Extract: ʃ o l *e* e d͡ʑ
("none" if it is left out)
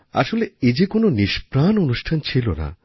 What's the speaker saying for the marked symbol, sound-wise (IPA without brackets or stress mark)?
e